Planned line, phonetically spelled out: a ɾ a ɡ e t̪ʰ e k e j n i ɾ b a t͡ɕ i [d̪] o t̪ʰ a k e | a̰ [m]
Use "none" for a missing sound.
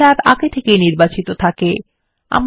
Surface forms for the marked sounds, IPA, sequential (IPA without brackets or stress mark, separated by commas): t̪, m